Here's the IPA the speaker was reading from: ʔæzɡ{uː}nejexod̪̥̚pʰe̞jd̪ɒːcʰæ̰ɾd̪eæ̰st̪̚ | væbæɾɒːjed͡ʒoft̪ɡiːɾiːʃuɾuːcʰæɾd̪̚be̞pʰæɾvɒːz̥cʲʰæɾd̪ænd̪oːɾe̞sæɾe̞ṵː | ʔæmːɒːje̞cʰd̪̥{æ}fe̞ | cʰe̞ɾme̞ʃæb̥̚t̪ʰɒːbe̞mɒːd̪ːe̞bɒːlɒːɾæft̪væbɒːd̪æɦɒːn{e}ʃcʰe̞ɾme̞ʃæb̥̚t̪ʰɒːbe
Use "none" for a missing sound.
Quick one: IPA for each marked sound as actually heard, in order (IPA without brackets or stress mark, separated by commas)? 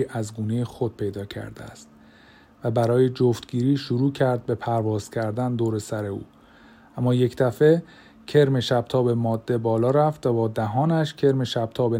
uː, æ, æ